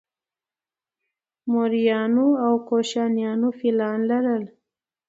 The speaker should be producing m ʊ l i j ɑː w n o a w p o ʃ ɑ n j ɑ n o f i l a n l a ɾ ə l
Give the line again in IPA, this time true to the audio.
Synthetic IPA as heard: m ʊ ɾ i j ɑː n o a w k o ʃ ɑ n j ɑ n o f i l ɑ n l a ɾ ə l